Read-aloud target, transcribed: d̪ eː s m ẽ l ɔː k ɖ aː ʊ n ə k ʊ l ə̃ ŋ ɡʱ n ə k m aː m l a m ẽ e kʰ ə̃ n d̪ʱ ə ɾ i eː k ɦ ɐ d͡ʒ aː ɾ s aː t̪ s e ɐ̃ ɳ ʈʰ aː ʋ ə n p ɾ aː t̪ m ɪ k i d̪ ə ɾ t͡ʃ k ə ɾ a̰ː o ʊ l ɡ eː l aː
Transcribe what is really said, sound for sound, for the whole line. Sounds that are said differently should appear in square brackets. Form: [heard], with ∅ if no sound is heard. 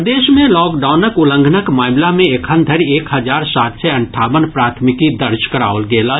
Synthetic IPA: d̪ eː [ʃ] m ẽ l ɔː k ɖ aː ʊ n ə k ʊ l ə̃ ŋ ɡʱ n ə k m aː m l a m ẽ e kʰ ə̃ n d̪ʱ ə ɾ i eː k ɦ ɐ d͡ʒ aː ɾ s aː t̪ s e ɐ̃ ɳ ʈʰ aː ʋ ə n p ɾ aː [t̪ʰ] m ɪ k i d̪ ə ɾ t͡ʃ k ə ɾ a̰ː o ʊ l ɡ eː l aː